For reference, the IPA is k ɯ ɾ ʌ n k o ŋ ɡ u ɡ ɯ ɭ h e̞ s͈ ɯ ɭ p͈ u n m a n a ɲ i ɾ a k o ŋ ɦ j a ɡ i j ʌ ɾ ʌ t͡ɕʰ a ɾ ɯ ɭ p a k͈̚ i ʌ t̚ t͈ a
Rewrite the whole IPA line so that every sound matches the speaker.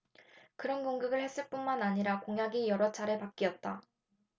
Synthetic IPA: k ɯ ɾ ʌ n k o ŋ ɡ ɯ ɡ ɯ ɭ h e̞ s͈ ɯ ɭ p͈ u n m a n a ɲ i ɾ a k o ŋ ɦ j a ɡ i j ʌ ɾ ʌ t͡ɕʰ a ɾ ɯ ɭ p a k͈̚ i ʌ t̚ t͈ a